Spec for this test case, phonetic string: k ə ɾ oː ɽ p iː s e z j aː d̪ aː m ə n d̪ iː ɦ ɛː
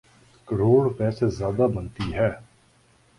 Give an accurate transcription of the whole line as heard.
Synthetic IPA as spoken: k ə ɾ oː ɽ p ɛː s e z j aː d̪ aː b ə n t̪ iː ɦ ɛː